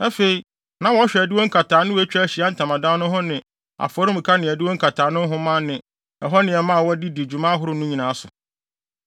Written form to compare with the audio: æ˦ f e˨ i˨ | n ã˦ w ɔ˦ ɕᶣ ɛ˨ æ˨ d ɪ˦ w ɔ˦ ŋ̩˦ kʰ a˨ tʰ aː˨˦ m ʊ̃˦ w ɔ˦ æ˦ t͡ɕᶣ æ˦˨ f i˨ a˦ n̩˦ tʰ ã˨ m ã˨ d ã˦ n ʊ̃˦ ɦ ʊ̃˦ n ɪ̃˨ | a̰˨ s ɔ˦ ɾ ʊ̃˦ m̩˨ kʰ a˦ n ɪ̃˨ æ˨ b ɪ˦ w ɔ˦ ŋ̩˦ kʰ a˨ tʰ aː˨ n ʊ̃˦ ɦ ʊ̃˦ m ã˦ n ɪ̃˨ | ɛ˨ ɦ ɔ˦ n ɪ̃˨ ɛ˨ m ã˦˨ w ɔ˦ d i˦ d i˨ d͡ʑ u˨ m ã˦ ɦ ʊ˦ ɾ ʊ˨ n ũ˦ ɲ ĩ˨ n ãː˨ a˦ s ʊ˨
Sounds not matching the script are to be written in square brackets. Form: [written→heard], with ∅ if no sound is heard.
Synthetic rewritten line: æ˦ f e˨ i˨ | n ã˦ w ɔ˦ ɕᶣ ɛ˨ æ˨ d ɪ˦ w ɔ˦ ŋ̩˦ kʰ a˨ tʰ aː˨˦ [m→n] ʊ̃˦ w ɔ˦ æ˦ t͡ɕᶣ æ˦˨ [f→ɕ] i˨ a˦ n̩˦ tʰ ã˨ m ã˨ d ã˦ n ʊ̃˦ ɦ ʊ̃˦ n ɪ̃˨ | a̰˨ [s→f] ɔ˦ ɾ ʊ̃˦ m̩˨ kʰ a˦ n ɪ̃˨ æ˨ [b→d] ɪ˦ w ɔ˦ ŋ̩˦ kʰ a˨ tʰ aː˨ n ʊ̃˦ ɦ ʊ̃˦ m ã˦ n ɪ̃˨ | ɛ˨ ɦ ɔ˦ n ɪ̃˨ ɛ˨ m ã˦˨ w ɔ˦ d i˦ d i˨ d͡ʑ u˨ m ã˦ ɦ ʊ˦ ɾ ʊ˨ n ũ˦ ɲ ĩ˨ n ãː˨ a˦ s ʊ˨